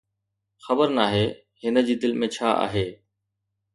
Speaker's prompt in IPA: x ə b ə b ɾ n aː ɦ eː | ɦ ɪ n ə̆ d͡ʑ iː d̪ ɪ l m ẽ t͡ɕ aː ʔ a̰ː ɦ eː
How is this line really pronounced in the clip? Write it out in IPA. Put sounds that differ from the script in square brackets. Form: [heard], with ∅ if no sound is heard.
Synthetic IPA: x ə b ə [∅] ɾ n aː ɦ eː | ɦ ɪ n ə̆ d͡ʑ iː d̪ ɪ l m ẽ [t͡ɕʰ] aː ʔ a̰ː ɦ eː